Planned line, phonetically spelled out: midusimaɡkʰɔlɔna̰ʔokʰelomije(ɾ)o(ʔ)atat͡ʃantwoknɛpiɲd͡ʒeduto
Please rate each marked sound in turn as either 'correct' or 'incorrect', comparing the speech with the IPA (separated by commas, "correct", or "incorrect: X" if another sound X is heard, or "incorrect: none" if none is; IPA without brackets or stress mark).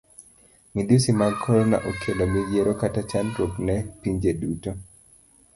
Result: correct, incorrect: k